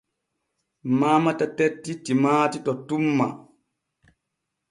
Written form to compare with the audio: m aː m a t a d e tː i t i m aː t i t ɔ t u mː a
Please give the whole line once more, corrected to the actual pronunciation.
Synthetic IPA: m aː m a t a t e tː i t i m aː t i t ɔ t u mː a